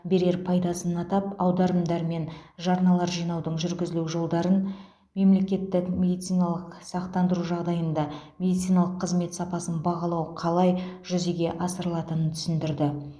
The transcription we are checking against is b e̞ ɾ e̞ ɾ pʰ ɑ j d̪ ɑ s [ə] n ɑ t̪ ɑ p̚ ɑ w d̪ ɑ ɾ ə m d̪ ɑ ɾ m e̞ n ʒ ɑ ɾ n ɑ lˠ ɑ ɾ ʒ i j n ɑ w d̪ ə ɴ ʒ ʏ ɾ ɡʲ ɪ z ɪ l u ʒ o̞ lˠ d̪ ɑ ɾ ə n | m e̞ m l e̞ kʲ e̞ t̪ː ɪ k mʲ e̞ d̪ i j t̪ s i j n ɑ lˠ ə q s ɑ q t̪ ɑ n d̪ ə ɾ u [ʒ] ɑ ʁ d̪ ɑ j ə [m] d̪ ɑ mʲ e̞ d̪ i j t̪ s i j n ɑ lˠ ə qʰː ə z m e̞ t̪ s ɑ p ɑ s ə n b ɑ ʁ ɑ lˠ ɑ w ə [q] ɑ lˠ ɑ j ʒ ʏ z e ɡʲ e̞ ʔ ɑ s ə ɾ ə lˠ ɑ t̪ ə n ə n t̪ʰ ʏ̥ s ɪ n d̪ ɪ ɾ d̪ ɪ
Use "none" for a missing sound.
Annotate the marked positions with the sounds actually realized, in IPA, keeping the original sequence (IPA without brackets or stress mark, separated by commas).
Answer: ə, ʒ, n, qʰ